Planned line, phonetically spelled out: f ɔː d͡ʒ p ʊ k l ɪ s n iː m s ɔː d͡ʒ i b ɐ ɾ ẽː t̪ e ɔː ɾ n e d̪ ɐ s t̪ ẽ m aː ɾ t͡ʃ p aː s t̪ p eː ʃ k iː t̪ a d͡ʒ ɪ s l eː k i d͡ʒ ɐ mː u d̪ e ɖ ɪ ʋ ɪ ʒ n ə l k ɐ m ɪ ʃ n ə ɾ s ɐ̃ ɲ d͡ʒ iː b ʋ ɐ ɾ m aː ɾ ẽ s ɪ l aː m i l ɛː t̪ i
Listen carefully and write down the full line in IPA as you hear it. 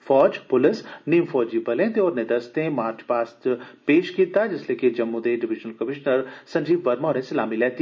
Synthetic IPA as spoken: f ɔː d͡ʒ p ʊ l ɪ s n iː m f ɔː d͡ʒ i b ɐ l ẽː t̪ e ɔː ɾ n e d̪ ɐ s t̪ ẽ m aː ɾ t͡ʃ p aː s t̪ p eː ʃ k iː t̪ a d͡ʒ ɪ s l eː k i d͡ʒ ɐ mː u d̪ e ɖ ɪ ʋ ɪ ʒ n ə l k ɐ m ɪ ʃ n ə ɾ s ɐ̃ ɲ d͡ʒ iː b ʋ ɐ ɾ m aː ɾ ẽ s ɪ l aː m i l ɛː t̪ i